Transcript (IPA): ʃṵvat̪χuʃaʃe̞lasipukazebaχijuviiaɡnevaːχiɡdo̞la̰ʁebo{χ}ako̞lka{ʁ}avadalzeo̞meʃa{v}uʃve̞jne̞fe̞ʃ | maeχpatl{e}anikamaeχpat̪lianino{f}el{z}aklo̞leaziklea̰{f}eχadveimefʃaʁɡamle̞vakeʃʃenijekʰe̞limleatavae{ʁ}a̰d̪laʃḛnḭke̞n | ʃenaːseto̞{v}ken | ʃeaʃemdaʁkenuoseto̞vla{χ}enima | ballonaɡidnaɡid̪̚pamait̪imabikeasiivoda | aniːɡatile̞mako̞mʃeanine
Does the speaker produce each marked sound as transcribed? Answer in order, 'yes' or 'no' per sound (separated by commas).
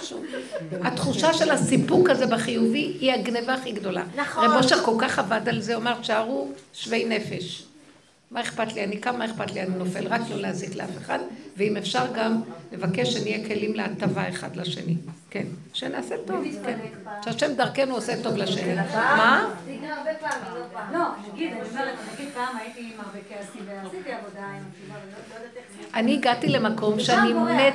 no, no, no, no, yes, no, yes, no, yes, no